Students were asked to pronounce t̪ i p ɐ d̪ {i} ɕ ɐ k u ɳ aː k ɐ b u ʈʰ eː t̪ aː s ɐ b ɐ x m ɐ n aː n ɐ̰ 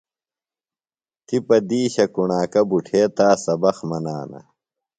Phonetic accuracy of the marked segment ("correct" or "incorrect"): incorrect